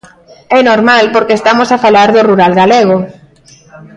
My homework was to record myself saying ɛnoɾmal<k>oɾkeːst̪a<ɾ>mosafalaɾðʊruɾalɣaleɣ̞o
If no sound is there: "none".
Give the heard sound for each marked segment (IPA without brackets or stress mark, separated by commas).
p, none